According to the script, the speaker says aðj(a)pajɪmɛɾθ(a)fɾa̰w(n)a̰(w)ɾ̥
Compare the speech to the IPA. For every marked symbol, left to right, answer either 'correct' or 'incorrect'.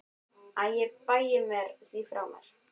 incorrect: ɛ, incorrect: i, incorrect: m, incorrect: none

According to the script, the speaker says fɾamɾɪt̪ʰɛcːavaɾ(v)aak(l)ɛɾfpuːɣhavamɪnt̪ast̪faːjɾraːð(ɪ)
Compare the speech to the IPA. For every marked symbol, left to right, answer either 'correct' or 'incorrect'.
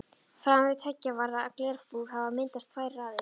incorrect: ð, correct, correct

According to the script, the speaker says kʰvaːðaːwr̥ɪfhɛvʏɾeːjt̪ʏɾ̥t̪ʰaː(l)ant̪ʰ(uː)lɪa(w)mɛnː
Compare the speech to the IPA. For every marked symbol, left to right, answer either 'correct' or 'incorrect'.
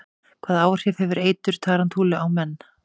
incorrect: ɾ, correct, correct

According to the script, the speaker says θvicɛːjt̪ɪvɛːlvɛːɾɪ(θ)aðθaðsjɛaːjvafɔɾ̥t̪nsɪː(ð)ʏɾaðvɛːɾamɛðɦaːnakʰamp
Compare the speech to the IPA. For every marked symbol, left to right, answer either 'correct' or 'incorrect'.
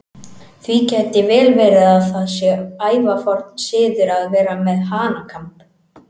incorrect: ð, correct

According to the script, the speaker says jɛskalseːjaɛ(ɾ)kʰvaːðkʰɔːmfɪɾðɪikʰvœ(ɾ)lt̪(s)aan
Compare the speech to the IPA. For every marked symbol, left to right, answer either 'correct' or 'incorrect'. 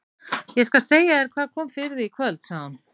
correct, incorrect: none, correct

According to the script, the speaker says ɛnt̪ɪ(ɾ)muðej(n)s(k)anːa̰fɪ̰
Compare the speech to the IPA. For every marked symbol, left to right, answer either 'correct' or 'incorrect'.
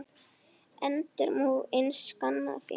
correct, correct, correct

